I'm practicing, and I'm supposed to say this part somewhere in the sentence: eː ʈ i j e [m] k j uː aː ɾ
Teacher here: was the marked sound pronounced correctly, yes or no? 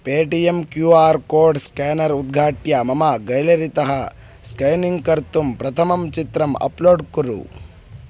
yes